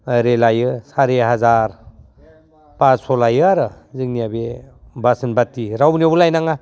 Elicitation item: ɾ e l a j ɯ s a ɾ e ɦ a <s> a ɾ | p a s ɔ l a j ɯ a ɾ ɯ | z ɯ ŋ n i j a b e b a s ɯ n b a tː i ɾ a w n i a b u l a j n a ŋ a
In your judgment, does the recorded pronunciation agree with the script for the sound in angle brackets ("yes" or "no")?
no